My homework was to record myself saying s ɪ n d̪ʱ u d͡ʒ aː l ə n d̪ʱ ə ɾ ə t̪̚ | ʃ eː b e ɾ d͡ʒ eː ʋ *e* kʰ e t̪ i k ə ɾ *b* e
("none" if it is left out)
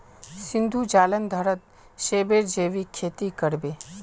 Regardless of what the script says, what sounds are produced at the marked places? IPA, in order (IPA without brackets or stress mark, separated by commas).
i, b